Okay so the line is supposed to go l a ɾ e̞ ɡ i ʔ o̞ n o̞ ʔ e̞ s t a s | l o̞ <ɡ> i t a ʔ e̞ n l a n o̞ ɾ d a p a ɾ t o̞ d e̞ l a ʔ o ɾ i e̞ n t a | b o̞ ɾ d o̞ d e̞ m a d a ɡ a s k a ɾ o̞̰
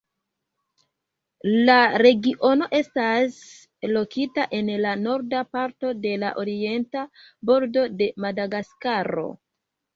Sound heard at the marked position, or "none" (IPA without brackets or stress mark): k